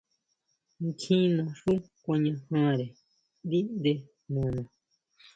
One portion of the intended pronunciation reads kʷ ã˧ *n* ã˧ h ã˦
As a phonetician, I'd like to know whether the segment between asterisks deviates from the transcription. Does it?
yes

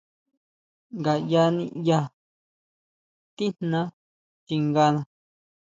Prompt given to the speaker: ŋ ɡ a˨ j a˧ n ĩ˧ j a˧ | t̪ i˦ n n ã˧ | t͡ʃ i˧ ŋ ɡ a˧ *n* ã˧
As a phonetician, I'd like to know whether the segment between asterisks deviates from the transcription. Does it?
no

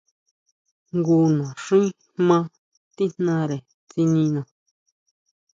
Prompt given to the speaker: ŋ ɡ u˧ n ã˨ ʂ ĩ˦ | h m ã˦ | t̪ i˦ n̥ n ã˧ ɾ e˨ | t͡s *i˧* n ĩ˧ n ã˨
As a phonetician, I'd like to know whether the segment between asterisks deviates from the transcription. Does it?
no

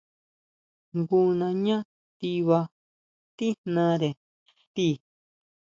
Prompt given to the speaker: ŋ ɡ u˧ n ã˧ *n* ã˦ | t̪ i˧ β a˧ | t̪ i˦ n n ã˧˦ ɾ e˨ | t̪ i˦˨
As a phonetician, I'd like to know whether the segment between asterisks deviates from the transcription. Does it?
yes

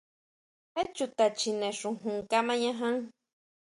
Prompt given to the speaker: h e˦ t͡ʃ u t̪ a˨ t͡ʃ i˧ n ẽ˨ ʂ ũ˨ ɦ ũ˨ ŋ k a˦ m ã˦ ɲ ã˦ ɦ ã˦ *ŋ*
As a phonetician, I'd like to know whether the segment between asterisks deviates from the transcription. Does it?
no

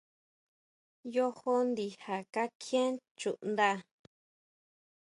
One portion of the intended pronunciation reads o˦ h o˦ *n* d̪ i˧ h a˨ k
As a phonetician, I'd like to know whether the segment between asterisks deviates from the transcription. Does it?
no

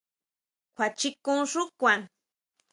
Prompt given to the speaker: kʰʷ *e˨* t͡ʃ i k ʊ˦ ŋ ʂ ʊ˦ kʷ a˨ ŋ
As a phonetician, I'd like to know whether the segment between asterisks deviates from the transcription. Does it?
yes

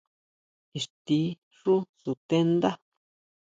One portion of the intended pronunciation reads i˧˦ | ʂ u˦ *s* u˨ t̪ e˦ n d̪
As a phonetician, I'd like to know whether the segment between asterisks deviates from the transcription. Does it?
no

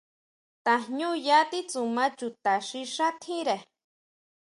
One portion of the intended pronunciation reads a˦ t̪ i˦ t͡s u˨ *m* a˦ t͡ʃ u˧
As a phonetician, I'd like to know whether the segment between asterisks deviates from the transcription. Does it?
no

